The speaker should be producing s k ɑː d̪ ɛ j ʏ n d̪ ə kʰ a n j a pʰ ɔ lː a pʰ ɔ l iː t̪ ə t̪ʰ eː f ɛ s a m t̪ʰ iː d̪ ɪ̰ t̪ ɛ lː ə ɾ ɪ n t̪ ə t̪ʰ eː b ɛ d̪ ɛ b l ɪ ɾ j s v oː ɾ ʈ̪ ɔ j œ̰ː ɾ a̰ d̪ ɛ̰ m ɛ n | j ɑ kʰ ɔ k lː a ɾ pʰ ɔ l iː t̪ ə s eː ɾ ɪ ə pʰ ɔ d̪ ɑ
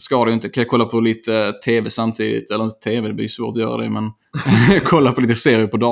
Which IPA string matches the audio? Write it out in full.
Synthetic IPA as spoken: s k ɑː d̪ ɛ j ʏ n t̪ ə kʰ a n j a kʰ ɔ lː a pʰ ɔ l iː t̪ ə t̪ʰ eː v ɛ s a m t̪ʰ iː d̪ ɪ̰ t̪ ɛ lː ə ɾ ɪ n t̪ ə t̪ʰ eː v ɛ d̪ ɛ b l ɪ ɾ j s v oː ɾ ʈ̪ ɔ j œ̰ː ɾ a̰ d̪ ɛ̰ m ɛ n | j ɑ kʰ ɔ lː a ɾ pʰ ɔ l iː t̪ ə s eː ɾ ɪ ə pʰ ɔ d̪ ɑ